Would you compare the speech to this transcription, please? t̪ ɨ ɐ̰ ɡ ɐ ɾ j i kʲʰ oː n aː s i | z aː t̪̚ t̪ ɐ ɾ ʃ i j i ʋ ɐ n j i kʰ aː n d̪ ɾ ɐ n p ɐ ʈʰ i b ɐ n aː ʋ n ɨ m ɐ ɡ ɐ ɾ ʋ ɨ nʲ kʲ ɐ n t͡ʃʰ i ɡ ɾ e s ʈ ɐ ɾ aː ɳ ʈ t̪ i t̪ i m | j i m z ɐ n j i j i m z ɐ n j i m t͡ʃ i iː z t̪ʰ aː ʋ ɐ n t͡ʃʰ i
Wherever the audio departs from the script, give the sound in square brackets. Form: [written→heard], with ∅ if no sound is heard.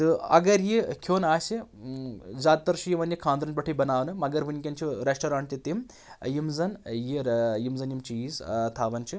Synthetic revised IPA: t̪ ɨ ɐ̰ ɡ ɐ ɾ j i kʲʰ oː n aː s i | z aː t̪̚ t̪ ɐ ɾ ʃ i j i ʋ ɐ n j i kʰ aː n d̪ ɾ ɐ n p ɐ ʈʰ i b ɐ n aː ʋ n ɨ m ɐ ɡ ɐ ɾ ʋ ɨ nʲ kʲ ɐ n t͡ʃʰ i [ɡ→∅] ɾ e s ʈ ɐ ɾ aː ɳ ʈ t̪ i t̪ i m | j i m z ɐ n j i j i m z ɐ n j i m t͡ʃ i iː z t̪ʰ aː ʋ ɐ n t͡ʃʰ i